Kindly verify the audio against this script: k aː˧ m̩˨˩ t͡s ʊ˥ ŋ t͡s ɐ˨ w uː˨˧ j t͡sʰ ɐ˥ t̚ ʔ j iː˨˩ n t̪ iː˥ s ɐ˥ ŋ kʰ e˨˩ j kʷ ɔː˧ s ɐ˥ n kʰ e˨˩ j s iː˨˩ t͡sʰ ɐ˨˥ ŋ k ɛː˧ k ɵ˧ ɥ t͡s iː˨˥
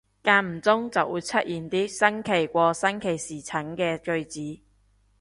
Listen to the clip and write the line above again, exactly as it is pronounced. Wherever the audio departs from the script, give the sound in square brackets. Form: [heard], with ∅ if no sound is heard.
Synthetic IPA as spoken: k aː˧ m̩˨˩ t͡s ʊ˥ ŋ t͡s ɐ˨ w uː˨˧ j t͡sʰ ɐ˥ t̚ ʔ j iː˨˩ n t̪ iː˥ s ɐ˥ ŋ kʰ e˨˩ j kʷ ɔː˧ s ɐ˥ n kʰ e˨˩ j s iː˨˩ t͡sʰ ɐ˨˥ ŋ k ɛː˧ k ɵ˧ ɥ t͡s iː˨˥